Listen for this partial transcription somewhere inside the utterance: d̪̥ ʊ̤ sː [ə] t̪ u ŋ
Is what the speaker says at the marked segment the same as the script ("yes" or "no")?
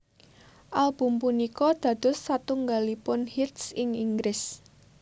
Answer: no